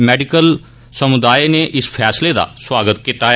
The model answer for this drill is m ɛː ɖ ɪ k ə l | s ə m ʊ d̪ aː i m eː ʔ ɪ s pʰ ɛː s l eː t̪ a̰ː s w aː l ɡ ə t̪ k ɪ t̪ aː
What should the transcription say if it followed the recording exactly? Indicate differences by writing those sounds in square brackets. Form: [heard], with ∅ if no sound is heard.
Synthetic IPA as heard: m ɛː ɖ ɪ k ə l | s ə m ʊ d̪ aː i [n] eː ʔ ɪ s pʰ ɛː s l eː [d̪] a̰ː s w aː [∅] ɡ ə t̪ k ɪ t̪ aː